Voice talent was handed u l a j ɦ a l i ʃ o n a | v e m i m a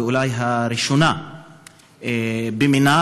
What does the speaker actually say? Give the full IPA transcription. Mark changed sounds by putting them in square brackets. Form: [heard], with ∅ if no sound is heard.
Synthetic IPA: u l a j ɦ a [ɾ] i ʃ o n a | [b] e m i [n] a